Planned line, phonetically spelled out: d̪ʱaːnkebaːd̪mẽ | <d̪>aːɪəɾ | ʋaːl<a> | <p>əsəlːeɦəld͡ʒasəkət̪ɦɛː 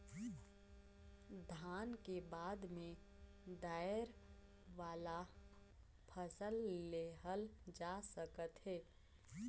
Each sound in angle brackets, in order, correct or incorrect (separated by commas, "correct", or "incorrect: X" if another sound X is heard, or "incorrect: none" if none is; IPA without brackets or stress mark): correct, correct, incorrect: pʰ